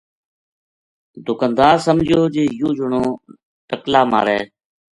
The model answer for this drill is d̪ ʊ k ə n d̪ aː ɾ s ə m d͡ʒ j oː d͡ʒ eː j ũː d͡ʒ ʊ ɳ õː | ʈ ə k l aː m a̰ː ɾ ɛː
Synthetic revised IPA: d̪ ʊ k ə n d̪ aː ɾ s ə m d͡ʒ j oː d͡ʒ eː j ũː d͡ʒ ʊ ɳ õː | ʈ ə k l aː m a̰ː ɾ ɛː